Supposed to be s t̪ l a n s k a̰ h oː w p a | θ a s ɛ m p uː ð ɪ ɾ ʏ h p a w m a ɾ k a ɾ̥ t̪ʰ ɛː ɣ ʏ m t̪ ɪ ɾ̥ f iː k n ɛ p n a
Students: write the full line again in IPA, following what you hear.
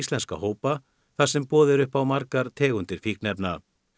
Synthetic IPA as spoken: s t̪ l ɛ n s k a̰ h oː w p a | θ a s ɛ m p ɔː ð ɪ ɾ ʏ h p a w m a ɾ k a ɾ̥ t̪ʰ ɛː ɣ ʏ n t̪ ɪ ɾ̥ f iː k n ɛ p n a